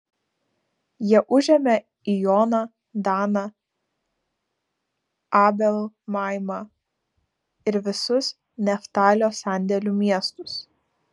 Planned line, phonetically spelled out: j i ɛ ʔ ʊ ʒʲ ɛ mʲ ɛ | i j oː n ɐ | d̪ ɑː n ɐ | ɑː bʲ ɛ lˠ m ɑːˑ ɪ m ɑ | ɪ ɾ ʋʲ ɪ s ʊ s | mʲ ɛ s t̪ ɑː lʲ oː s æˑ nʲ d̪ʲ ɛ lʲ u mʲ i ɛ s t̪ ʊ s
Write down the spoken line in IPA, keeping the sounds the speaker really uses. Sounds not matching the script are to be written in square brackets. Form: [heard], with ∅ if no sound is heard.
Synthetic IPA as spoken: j i ɛ ʔ ʊ ʒʲ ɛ mʲ ɛ | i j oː n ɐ | d̪ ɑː n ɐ | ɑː bʲ ɛ lˠ m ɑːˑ ɪ m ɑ | ɪ ɾ ʋʲ ɪ s ʊ s | [nʲ] ɛ [f] t̪ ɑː lʲ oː s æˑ nʲ d̪ʲ ɛ lʲ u mʲ i ɛ s t̪ ʊ s

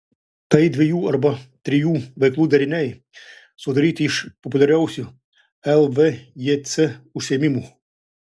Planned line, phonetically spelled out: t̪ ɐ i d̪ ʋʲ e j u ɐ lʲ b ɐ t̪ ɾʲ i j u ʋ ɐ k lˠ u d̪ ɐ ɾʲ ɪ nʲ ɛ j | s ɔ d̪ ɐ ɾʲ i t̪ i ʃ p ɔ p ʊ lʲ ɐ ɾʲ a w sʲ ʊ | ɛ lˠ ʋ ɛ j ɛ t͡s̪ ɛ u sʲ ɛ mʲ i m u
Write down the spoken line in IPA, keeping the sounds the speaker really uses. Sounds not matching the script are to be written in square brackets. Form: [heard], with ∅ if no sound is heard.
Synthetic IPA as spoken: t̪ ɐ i d̪ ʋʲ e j u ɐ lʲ b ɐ t̪ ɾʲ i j u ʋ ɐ k lˠ u d̪ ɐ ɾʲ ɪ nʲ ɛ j | s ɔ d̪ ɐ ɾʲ i t̪ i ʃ p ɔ p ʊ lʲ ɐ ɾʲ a w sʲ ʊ | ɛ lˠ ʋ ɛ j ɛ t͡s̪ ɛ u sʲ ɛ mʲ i m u

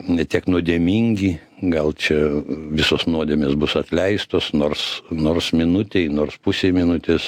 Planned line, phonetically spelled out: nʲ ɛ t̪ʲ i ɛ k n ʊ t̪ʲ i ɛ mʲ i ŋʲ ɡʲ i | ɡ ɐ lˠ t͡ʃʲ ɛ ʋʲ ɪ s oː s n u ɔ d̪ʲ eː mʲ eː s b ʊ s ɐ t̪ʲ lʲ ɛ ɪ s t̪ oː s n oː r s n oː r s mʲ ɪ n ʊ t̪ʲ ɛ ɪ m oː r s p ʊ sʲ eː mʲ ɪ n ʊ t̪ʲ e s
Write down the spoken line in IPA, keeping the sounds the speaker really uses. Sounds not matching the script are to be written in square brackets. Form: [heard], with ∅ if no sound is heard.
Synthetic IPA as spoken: nʲ ɛ t̪ʲ i ɛ k n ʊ [d̪ʲ] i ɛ mʲ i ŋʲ ɡʲ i | ɡ ɐ lˠ t͡ʃʲ ɛ ʋʲ ɪ s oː s n u ɔ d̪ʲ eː mʲ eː s b ʊ s ɐ t̪ʲ lʲ ɛ ɪ s t̪ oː s n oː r s n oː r s mʲ ɪ n ʊ t̪ʲ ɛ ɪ [n] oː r s p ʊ sʲ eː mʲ ɪ n ʊ t̪ʲ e s

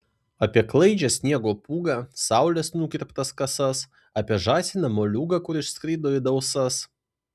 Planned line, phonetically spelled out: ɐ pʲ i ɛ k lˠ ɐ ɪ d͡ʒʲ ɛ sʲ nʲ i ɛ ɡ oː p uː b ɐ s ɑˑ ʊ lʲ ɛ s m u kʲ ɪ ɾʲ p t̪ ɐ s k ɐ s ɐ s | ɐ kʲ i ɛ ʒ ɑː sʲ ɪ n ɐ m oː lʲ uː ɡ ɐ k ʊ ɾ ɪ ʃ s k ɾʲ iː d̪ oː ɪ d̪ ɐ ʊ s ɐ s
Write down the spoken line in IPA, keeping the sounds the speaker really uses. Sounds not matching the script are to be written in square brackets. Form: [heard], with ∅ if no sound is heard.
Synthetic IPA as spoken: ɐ pʲ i ɛ k lˠ ɐ ɪ d͡ʒʲ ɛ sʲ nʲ i ɛ ɡ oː p uː [ɡ] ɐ s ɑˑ ʊ lʲ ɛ s [n] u kʲ ɪ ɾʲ p t̪ ɐ s k ɐ s ɐ s | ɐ [pʲ] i ɛ ʒ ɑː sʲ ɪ n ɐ m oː lʲ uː ɡ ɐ k ʊ ɾ ɪ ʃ s k ɾʲ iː d̪ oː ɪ d̪ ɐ ʊ s ɐ s

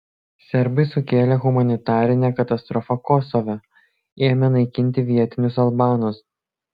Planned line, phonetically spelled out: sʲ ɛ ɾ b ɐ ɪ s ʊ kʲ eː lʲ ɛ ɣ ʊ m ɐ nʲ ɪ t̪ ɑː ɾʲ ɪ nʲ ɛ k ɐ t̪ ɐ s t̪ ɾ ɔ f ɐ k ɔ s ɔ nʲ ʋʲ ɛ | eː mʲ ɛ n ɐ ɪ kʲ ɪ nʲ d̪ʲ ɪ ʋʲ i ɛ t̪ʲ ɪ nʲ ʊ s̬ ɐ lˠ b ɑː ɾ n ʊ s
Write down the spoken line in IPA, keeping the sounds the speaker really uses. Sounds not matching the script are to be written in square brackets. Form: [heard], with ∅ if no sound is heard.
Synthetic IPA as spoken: sʲ ɛ ɾ b ɐ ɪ s ʊ kʲ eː lʲ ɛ ɣ ʊ m ɐ nʲ ɪ t̪ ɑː ɾʲ ɪ nʲ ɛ k ɐ t̪ ɐ s t̪ ɾ ɔ f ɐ k ɔ s ɔ [∅] ʋʲ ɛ | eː mʲ ɛ n ɐ ɪ kʲ ɪ nʲ [t̪ʲ] ɪ ʋʲ i ɛ t̪ʲ ɪ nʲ ʊ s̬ ɐ lˠ b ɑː [∅] n ʊ s

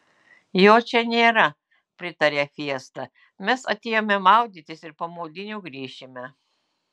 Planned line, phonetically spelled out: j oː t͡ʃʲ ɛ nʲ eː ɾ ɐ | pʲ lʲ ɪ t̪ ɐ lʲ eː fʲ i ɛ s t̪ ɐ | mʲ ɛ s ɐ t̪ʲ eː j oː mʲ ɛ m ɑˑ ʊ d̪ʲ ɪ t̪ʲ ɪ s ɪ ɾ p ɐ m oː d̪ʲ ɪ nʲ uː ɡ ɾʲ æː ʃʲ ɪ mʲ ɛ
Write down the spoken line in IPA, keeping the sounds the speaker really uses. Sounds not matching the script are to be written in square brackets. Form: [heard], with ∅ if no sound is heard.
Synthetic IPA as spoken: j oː t͡ʃʲ ɛ nʲ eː ɾ ɐ | pʲ [ɾʲ] ɪ t̪ ɐ [ɾʲ] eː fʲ i ɛ s t̪ ɐ | mʲ ɛ s ɐ t̪ʲ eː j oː mʲ ɛ m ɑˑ ʊ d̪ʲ ɪ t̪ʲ ɪ s ɪ ɾ p ɐ m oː d̪ʲ ɪ nʲ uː ɡ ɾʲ [iː] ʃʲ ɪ mʲ ɛ

